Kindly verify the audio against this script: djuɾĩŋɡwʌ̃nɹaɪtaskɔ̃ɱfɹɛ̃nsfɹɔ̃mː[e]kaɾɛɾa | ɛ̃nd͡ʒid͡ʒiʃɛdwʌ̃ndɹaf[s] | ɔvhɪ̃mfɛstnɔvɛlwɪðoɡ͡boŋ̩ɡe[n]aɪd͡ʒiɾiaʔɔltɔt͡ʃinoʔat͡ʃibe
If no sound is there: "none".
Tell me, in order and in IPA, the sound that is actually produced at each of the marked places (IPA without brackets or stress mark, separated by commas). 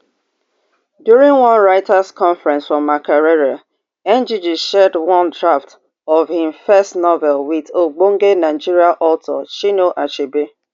a, t, n